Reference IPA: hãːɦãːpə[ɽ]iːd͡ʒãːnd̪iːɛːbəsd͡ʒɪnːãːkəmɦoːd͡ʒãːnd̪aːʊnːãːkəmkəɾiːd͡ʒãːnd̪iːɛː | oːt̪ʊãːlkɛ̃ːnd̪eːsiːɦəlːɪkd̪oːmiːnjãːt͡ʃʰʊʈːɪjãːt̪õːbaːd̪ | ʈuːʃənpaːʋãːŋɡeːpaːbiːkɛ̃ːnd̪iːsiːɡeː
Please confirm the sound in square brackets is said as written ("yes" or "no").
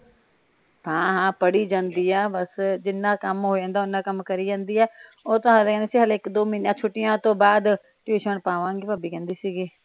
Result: yes